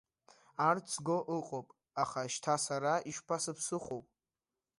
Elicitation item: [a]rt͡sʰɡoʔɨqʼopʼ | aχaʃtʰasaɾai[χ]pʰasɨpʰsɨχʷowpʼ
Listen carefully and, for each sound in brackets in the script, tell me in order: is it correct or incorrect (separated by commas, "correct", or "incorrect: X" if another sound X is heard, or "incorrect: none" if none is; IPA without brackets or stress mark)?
correct, incorrect: ʃ